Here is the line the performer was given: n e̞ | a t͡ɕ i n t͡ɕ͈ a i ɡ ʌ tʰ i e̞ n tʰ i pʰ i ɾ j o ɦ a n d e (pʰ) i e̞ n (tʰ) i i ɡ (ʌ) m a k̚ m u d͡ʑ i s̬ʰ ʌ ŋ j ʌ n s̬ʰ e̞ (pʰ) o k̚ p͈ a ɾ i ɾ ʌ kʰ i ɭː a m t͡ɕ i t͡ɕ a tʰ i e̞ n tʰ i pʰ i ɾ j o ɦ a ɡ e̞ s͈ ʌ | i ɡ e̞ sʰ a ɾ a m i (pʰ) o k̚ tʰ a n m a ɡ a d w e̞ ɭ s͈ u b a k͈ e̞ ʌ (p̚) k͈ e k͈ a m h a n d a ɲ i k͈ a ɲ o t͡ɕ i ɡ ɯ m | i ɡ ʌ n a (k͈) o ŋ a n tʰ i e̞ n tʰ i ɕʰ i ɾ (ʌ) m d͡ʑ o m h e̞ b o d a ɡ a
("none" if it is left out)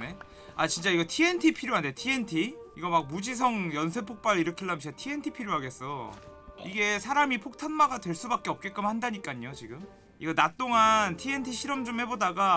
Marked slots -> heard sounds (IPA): tʰ, tʰ, ʌ, pʰ, pʰ, p̚, t͈, ʌ

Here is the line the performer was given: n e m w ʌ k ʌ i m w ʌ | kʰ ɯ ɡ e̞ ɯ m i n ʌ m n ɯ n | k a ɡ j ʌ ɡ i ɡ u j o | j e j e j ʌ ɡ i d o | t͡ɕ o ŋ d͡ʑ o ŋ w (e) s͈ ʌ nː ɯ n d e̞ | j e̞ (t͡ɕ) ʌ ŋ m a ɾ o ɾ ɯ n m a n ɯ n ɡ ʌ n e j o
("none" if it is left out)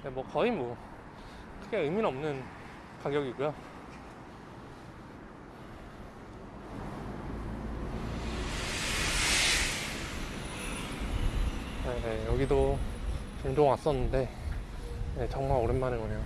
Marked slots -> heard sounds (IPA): a, t͡ɕ

